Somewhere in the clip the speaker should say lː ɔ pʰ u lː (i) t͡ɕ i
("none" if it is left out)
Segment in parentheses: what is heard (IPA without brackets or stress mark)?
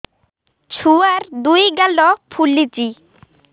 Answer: i